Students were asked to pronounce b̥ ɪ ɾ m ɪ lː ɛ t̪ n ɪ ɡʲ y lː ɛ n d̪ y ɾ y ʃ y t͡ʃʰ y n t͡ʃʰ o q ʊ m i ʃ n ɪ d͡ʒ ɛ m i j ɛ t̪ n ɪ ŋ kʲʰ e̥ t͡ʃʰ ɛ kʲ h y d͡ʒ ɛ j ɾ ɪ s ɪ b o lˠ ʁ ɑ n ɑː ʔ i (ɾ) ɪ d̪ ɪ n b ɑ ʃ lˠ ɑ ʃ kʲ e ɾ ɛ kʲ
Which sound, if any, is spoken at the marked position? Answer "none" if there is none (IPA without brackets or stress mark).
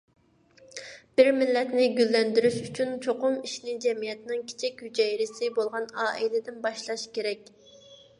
l